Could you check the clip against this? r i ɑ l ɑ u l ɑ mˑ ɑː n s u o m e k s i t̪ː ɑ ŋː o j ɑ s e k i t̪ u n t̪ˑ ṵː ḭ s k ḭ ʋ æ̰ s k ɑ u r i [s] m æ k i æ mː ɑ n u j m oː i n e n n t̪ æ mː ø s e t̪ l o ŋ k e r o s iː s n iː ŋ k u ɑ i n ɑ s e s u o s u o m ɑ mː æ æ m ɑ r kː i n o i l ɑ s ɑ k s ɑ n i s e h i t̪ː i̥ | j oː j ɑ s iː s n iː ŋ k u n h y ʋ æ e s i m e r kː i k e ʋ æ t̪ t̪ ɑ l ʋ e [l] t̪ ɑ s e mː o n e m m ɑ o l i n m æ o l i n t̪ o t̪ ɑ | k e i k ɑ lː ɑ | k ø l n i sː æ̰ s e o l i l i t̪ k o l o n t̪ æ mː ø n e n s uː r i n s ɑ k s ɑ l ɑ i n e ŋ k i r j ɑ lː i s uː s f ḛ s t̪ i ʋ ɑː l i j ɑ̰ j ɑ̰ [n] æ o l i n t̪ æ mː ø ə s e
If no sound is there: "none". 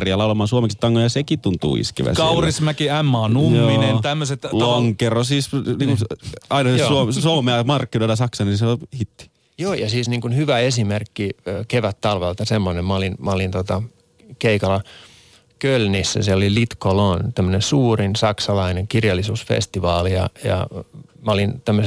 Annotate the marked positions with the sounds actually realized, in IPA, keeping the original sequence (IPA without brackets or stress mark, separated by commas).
s, l, m